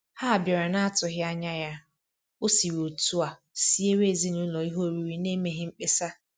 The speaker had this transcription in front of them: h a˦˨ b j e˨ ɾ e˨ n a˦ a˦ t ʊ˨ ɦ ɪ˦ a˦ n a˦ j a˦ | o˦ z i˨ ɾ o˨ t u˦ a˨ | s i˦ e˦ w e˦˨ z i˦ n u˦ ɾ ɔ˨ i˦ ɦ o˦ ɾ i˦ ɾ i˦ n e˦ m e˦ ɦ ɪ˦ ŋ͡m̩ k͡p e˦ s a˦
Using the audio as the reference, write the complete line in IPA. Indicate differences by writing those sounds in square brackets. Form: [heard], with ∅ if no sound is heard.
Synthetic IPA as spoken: h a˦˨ b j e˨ ɾ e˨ n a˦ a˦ t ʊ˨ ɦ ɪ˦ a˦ [ɲ] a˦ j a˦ | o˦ [s] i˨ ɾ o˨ t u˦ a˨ | s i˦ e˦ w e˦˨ z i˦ n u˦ [l] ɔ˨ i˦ ɦ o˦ ɾ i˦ ɾ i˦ n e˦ m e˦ ɦ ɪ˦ ŋ͡m̩ k͡p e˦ s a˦

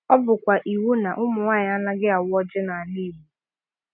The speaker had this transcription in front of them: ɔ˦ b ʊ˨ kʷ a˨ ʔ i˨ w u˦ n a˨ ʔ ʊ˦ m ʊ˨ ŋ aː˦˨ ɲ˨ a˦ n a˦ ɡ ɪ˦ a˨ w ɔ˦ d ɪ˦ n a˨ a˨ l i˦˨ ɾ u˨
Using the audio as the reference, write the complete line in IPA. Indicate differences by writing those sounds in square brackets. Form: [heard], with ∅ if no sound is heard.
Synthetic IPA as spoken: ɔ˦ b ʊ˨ kʷ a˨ ʔ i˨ w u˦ n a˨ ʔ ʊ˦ m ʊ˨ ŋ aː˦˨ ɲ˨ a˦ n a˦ ɡ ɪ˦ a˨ w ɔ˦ [d͡ʒ] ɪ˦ n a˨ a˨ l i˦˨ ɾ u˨

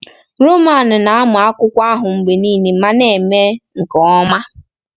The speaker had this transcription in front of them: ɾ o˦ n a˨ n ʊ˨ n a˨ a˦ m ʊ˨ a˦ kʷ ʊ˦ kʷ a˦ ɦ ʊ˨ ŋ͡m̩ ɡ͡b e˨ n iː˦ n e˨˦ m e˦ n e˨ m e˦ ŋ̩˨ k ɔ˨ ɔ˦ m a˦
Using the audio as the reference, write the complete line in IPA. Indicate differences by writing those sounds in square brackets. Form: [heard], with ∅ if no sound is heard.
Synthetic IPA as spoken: ɾ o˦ [m] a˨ n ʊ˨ n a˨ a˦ m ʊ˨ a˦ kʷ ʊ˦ kʷ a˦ ɦ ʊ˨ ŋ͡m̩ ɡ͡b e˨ n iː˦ n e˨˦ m [a˦] n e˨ m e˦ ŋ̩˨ k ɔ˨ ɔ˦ m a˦

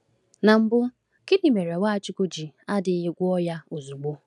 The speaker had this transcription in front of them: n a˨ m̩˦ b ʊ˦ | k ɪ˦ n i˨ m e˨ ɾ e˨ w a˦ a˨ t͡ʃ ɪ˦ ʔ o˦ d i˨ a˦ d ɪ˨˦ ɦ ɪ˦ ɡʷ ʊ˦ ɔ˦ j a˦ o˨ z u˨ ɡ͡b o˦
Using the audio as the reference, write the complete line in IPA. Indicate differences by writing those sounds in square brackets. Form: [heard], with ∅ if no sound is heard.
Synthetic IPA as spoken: n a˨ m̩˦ b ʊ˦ | k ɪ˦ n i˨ m e˨ ɾ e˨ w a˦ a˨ t͡ʃ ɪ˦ [k] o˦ [d͡ʒ] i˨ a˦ d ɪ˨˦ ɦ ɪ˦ ɡʷ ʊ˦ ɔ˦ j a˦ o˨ z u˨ ɡ͡b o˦

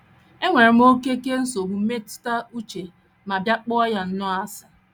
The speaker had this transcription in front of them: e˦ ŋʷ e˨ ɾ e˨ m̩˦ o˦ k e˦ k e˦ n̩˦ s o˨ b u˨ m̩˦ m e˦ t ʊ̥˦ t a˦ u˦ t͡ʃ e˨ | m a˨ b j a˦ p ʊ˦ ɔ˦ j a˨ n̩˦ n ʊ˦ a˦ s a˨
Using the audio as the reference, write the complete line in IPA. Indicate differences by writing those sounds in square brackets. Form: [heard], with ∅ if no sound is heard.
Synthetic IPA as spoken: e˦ ŋʷ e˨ ɾ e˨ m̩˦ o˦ k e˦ k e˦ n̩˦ s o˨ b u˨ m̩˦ m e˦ t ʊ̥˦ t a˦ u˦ t͡ʃ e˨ | m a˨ b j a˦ [k͡p] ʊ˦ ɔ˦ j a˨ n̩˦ n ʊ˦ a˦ s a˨

